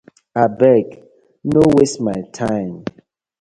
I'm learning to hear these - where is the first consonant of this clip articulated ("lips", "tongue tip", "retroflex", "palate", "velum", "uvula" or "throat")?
lips